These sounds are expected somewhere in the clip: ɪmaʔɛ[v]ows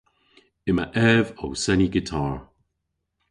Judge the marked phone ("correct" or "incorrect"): correct